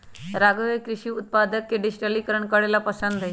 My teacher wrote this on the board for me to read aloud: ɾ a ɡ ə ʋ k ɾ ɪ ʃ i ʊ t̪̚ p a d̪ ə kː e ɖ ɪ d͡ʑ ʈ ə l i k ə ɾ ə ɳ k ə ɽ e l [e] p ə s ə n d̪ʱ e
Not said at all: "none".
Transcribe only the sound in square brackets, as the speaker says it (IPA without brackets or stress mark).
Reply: a